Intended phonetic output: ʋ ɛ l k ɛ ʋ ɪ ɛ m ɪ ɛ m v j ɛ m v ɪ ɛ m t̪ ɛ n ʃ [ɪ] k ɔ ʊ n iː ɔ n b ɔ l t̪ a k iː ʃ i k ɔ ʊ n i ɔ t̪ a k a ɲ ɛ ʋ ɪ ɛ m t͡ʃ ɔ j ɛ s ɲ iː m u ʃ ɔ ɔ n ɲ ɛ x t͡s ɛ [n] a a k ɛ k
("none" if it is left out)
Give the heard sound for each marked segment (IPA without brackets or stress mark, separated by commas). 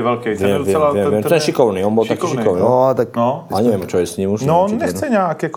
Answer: i, ɲ